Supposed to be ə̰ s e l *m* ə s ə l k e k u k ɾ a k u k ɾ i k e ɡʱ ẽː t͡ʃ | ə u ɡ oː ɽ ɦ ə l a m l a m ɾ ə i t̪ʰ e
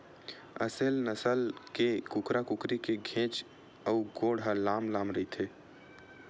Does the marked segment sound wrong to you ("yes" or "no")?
yes